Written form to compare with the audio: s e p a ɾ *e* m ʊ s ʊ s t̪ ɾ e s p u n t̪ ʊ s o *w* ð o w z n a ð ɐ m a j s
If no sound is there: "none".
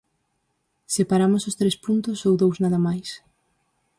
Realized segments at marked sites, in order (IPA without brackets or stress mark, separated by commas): a, w